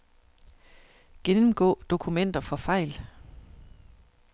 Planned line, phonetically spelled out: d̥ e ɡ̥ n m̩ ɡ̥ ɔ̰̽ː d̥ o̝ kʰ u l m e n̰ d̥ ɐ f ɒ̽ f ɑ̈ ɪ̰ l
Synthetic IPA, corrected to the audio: ɡ̥ e n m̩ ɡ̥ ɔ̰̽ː d̥ o̝ kʰ u m e n̰ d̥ ɐ f ɒ̽ f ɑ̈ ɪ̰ l